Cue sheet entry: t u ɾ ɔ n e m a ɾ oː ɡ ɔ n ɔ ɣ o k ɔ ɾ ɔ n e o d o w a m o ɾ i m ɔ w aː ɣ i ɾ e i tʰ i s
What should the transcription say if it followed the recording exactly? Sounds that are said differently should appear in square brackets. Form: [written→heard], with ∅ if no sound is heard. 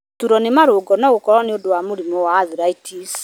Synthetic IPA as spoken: t u ɾ ɔ n e m a ɾ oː ɡ ɔ n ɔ ɣ o k ɔ ɾ ɔ n e o d o w a m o ɾ i m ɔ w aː [ɣ→ð] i ɾ [e→a] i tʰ i s